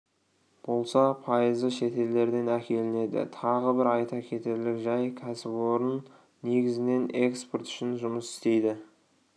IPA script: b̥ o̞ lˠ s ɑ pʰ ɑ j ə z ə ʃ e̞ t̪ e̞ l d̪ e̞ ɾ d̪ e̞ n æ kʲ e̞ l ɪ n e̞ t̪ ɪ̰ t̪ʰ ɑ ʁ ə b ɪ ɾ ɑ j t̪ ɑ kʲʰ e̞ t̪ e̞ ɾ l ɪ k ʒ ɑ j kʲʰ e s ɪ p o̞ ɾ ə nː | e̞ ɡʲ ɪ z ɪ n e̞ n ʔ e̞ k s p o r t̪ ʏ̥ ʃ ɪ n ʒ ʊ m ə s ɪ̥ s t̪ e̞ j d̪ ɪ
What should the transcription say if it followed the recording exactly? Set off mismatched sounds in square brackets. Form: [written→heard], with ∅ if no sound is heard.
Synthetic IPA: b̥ o̞ lˠ s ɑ pʰ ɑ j ə z ə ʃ e̞ t̪ e̞ l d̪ e̞ ɾ d̪ e̞ n æ kʲ e̞ l ɪ n e̞ [t̪→d̪] ɪ̰ t̪ʰ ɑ ʁ ə b ɪ ɾ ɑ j t̪ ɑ kʲʰ e̞ t̪ e̞ ɾ l ɪ k ʒ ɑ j kʲʰ [e→æ] s ɪ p o̞ ɾ ə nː | e̞ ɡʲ ɪ z ɪ n e̞ n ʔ e̞ k s p o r t̪ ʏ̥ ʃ ɪ n ʒ ʊ m ə s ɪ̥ s t̪ e̞ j d̪ ɪ